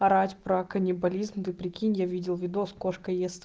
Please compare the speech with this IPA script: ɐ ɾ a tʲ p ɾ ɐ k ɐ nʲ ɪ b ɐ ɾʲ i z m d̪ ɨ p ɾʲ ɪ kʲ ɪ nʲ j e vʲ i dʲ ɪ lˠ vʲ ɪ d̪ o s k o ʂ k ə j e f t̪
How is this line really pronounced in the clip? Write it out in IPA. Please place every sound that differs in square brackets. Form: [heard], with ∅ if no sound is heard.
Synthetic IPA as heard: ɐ ɾ a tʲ p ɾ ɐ k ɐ nʲ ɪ b ɐ [lʲ] i z m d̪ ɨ p ɾʲ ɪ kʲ [i] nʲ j [a] vʲ i dʲ ɪ lˠ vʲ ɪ d̪ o s k o ʂ k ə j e [s] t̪